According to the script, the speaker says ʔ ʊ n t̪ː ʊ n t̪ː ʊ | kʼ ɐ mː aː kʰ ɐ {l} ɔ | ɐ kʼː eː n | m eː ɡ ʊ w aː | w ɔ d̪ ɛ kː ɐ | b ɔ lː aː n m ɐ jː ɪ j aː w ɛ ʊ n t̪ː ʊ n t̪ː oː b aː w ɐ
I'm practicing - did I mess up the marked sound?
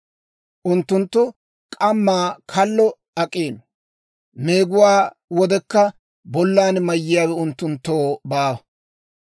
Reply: yes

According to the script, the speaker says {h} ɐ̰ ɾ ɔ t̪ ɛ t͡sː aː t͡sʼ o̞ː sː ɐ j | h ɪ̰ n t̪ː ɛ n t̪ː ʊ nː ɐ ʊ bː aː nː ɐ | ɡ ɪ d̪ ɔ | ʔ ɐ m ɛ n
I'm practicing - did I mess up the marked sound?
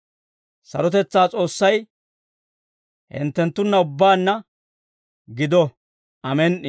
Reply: yes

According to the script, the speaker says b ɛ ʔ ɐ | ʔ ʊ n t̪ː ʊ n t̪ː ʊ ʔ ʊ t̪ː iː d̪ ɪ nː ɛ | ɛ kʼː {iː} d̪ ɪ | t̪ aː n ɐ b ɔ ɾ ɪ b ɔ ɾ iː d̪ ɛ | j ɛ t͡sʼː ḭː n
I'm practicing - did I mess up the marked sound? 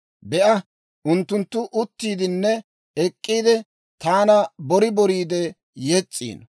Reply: no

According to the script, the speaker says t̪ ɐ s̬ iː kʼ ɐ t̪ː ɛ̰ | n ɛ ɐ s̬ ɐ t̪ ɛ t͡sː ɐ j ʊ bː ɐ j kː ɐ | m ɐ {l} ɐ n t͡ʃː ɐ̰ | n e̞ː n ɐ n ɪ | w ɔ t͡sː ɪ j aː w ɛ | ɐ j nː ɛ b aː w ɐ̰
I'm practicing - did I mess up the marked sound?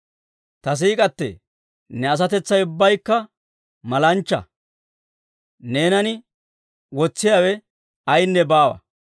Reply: no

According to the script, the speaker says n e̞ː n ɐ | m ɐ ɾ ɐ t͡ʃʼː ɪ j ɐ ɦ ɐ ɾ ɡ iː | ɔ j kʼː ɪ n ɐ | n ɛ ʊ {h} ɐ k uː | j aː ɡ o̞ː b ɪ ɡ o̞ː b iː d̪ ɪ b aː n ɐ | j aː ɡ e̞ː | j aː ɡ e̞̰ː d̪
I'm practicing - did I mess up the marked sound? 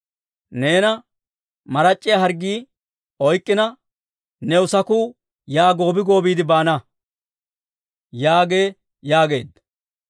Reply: yes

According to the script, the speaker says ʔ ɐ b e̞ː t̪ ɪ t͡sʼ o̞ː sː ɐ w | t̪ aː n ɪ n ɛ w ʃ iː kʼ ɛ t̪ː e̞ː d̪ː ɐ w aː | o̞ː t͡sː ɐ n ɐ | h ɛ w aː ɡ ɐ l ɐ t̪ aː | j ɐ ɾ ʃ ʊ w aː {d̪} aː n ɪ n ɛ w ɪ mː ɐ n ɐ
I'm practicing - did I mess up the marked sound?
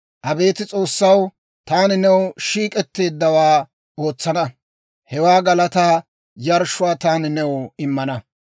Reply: yes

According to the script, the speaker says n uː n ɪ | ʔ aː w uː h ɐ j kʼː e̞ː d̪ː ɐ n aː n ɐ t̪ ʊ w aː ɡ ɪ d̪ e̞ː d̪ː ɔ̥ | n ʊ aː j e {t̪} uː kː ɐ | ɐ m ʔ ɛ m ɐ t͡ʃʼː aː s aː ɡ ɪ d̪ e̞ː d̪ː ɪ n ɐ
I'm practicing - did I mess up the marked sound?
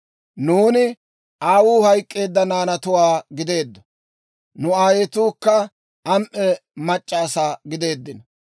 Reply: no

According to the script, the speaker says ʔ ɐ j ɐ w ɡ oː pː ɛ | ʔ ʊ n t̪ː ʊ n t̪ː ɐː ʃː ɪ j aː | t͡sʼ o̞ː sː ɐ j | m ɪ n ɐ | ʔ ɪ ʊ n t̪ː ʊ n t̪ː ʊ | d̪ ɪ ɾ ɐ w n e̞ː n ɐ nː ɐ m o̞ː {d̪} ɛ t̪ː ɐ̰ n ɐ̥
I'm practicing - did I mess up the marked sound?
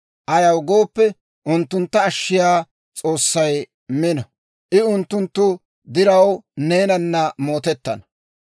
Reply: yes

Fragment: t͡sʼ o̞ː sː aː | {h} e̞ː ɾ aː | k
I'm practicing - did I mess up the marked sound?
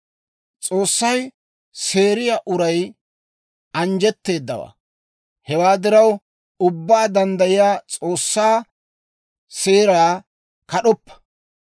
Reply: yes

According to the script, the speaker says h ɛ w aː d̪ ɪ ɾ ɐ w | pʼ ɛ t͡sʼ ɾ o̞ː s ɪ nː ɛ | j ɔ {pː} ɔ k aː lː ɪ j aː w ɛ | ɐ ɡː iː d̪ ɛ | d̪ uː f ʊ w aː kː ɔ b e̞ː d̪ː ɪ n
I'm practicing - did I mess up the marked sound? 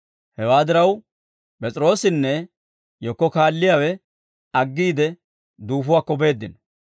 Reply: yes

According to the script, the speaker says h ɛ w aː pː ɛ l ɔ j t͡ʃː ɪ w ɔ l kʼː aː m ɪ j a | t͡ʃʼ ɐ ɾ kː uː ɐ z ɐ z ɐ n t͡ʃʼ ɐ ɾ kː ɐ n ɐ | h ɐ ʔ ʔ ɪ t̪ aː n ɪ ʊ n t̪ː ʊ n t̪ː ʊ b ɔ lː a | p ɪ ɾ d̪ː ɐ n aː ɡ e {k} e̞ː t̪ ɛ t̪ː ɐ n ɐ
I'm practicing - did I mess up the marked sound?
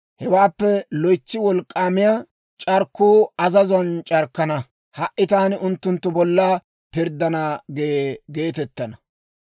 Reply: yes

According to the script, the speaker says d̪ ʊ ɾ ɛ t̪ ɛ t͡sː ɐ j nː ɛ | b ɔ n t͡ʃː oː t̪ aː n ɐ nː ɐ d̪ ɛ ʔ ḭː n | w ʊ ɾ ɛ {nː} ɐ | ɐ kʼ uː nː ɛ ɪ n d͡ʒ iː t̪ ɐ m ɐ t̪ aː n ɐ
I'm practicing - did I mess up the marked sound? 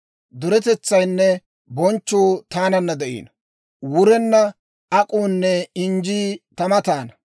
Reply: no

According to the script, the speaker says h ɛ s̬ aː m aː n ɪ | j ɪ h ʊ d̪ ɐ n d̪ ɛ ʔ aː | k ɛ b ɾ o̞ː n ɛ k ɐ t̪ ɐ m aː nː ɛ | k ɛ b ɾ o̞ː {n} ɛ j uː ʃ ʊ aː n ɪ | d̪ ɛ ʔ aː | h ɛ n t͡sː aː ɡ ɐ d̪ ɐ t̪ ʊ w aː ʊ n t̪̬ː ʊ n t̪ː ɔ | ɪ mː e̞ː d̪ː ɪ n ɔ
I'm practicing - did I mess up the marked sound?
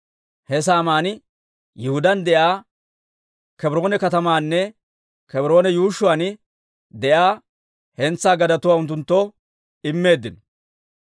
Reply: no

